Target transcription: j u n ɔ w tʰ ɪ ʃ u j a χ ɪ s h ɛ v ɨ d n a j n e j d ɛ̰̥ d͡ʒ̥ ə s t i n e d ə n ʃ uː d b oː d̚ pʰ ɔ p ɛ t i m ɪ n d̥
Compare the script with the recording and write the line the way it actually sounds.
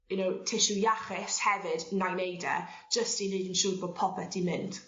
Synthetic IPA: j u n o w tʰ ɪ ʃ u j a χ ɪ s h ɛ v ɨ d n a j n e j d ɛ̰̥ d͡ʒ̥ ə s t i n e d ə n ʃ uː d b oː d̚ pʰ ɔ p ɛ t i m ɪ n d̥

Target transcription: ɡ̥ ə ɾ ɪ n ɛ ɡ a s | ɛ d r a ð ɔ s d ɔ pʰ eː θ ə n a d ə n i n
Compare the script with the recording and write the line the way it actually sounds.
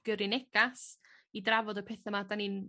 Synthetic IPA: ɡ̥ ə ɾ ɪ n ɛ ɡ a s | i d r a v ɔ d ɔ pʰ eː θ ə m a d a n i n

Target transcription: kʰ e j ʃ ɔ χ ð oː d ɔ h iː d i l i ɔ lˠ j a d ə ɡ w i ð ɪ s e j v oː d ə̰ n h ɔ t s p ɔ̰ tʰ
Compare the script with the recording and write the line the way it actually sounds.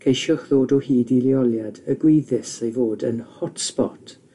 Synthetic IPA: kʰ e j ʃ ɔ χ ð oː d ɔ h iː d i l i ɔ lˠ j a d ə ɡ w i ð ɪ s e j v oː d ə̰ n h ɔ t s p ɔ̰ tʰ

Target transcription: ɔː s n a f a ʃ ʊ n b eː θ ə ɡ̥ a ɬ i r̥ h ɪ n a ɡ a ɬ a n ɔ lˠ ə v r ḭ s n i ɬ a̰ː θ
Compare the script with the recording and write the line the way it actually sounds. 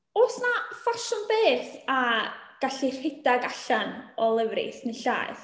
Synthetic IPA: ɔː s n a f a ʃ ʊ n b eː θ a ɡ̥ a ɬ i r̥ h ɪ d a ɡ a ɬ a n ɔ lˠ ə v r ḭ s n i ɬ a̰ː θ

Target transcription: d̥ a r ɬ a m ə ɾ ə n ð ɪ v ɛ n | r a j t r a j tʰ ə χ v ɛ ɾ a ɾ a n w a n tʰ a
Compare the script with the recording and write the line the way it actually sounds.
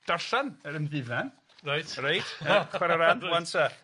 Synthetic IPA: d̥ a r ɬ a n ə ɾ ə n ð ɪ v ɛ n | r a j t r a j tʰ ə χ w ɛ ɾ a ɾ a n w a n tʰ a

